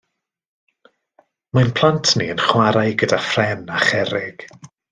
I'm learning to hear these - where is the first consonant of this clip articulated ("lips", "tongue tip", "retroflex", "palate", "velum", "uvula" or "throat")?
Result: lips